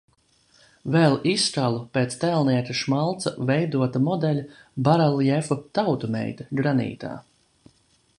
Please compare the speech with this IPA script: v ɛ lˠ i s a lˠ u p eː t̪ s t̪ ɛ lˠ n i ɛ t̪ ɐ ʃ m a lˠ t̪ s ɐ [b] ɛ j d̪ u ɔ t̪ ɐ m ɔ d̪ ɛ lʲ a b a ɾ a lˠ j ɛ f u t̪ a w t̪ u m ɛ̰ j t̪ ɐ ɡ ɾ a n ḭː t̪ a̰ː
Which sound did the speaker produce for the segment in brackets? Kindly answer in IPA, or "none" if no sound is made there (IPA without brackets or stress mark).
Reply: v